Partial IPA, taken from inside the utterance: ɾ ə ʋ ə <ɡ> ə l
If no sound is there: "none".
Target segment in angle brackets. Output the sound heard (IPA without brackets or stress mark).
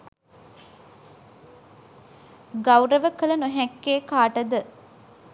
k